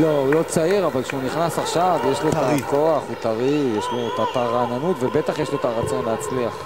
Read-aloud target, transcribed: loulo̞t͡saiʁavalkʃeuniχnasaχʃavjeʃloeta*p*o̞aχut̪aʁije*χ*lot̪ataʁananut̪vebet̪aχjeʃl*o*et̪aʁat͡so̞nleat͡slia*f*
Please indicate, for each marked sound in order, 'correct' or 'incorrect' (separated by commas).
incorrect, incorrect, correct, incorrect